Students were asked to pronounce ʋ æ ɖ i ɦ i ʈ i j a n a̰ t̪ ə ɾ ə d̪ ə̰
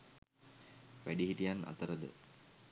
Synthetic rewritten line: ʋ æ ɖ i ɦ i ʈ i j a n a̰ t̪ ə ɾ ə d̪ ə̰